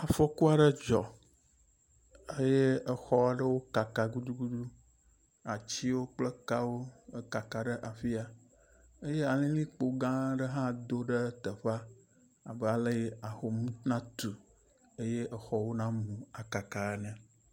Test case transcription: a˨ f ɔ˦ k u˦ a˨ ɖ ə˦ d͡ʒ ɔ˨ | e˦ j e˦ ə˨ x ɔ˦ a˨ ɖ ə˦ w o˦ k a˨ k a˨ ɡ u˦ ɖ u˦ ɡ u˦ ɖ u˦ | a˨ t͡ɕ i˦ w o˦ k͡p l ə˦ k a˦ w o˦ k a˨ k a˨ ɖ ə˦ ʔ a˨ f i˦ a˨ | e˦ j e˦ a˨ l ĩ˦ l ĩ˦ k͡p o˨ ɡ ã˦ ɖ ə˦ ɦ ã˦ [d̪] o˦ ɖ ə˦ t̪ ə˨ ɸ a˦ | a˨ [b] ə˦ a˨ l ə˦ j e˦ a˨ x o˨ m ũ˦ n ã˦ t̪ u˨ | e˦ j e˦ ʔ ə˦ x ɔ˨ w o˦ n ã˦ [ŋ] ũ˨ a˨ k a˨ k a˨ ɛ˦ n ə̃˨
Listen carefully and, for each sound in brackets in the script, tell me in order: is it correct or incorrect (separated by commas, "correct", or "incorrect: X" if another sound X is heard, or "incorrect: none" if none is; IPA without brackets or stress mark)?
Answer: correct, correct, incorrect: m